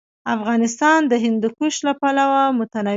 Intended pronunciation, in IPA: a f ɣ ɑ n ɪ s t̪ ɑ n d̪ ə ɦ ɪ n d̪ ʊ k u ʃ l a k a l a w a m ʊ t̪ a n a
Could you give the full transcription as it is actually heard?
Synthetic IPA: a f ɣ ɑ n ɪ s t̪ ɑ n d̪ ə ɦ ɪ n d̪ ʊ k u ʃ l a p a l a w a m ʊ t̪ a n a